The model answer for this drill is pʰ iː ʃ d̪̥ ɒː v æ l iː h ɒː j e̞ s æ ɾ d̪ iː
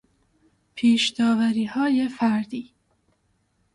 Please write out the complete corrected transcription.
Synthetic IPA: pʰ iː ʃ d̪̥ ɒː v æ ɾ iː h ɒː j e̞ f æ ɾ d̪ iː